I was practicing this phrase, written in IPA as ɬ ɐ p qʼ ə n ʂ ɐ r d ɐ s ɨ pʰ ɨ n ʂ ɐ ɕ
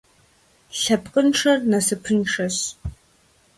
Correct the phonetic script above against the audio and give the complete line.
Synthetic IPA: ɬ ɐ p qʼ ə n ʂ ɐ r n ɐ s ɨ pʰ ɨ n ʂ ɐ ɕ